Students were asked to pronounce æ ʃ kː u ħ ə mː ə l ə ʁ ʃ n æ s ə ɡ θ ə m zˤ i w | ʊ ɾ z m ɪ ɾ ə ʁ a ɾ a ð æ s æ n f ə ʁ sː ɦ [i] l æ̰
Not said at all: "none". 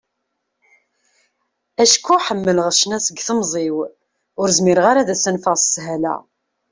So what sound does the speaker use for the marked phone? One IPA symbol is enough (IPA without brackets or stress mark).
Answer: æ